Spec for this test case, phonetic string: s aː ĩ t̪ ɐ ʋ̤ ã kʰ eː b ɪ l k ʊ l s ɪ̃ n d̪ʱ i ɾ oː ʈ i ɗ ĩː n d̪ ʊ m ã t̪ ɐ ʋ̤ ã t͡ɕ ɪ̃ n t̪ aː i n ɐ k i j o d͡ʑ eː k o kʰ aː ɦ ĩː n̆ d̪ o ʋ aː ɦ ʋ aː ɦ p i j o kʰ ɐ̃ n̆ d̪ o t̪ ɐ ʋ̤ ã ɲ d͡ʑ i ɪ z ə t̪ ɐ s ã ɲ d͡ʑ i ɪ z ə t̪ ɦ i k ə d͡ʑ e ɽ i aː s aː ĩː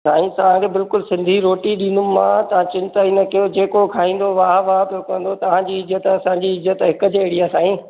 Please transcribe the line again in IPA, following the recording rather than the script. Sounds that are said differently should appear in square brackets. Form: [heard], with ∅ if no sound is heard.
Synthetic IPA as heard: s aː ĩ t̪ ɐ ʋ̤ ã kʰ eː b ɪ l k ʊ l s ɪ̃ n d̪ʱ i ɾ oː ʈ i ɗ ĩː n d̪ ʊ m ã t̪ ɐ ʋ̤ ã t͡ɕ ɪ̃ n t̪ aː i n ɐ k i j o d͡ʑ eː k o kʰ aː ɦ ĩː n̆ d̪ o ʋ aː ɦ ʋ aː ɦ p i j o [k] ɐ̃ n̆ d̪ o t̪ ɐ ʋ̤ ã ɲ d͡ʑ i ɪ z ə t̪ ɐ s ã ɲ d͡ʑ i ɪ z ə t̪ ɦ [ɪ] k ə d͡ʑ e ɽ i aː s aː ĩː